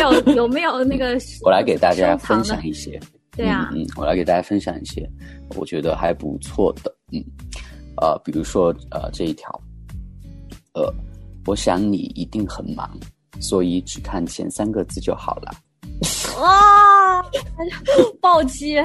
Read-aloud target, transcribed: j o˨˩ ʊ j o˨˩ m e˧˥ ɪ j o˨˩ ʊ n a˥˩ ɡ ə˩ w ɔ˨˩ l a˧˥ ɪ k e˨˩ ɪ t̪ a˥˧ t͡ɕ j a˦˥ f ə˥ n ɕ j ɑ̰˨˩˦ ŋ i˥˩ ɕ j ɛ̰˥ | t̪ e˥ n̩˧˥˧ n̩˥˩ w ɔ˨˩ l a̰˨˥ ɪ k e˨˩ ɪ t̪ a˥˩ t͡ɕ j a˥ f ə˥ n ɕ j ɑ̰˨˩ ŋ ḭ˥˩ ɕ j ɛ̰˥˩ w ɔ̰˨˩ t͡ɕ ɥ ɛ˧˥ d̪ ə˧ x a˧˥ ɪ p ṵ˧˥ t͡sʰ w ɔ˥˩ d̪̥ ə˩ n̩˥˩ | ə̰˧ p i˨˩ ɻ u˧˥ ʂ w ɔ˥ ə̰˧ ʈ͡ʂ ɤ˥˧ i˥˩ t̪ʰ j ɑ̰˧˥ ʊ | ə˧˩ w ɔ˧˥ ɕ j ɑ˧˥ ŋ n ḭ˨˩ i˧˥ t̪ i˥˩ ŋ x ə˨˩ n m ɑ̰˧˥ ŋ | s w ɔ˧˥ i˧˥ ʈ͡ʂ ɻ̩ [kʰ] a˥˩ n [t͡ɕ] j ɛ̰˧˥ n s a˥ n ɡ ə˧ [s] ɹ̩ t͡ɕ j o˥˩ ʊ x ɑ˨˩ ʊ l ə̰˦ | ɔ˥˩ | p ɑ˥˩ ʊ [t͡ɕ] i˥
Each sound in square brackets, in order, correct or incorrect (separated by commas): correct, incorrect, incorrect, correct